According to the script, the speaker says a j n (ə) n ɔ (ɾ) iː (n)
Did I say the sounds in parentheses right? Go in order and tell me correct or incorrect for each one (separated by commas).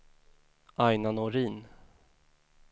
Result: incorrect, correct, correct